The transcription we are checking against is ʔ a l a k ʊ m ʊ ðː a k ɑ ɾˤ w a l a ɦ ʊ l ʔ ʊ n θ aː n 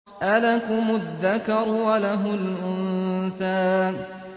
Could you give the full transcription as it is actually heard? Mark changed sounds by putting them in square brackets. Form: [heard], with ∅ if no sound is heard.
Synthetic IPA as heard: ʔ a l a k ʊ m ʊ ðː a k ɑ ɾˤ w a l a ɦ ʊ l ʔ ʊ n θ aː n